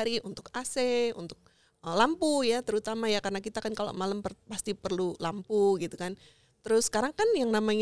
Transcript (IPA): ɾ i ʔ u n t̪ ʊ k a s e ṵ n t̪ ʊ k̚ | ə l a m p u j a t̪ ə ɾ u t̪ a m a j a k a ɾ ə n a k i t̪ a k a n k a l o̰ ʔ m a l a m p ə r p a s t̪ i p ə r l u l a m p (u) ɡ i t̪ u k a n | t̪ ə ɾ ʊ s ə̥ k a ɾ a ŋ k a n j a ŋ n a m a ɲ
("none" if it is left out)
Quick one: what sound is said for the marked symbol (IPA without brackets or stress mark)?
u